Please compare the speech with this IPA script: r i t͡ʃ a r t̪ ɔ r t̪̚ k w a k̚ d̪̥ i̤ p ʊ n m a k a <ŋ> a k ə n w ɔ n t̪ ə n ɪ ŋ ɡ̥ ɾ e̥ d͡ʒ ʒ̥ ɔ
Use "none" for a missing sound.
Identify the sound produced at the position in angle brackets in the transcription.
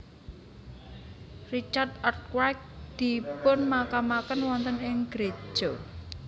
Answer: m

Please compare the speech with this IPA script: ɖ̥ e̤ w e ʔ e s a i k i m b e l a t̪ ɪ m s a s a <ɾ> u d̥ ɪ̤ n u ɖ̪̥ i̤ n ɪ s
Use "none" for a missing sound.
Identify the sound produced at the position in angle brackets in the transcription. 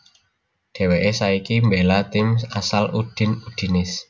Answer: l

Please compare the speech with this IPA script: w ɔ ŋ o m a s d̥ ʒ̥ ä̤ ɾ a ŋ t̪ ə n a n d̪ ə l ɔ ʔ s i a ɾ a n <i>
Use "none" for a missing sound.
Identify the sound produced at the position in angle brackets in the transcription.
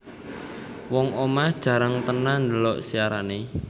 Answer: e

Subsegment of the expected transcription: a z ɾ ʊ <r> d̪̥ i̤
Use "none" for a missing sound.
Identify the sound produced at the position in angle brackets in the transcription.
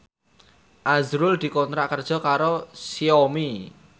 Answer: l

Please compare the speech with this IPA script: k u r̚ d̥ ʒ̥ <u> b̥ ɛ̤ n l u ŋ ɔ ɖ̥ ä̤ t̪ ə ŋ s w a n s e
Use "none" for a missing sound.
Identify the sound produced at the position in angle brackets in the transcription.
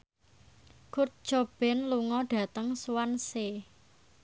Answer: o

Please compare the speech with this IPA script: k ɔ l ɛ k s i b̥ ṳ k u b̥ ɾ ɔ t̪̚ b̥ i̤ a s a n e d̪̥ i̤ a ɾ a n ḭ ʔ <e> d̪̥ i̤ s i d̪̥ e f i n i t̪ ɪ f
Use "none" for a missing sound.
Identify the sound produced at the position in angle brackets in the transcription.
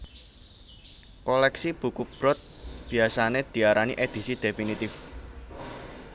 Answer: e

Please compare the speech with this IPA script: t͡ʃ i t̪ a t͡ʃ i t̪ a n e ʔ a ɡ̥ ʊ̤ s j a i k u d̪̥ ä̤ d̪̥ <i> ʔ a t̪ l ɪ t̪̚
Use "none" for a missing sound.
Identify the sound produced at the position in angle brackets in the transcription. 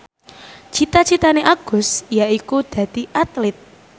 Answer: i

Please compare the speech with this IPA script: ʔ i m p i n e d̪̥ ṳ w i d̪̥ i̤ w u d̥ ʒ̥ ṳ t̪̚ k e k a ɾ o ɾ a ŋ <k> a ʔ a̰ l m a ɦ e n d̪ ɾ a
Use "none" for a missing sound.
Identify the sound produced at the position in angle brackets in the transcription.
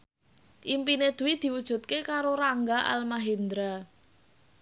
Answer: ɡ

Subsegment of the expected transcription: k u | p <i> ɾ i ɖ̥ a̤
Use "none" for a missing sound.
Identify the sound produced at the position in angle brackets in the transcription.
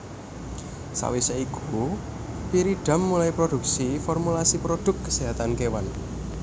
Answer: i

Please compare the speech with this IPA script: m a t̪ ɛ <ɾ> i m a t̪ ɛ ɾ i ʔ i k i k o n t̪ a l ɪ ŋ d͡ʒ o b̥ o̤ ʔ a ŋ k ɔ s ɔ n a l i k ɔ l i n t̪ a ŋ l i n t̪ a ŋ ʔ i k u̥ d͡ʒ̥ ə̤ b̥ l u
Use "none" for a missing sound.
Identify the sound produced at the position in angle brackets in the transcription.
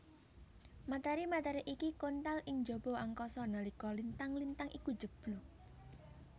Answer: ɾ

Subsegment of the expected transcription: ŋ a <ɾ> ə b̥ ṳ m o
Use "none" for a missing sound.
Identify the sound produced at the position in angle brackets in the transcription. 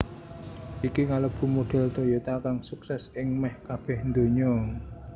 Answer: l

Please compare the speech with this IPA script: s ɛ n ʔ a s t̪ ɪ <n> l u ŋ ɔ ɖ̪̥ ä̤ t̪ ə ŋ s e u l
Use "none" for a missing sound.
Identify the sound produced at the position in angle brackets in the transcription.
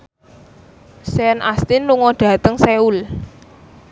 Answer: n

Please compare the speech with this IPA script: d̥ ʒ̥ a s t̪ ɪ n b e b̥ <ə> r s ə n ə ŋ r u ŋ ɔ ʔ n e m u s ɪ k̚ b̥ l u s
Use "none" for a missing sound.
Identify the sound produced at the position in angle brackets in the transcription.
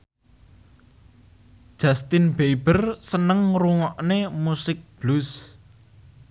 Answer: ə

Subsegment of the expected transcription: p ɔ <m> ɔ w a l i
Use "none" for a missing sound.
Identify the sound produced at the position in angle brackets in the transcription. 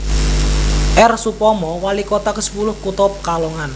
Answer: m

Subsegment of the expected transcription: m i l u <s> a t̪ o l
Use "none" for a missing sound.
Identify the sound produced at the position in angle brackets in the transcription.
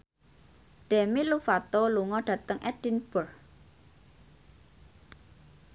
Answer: f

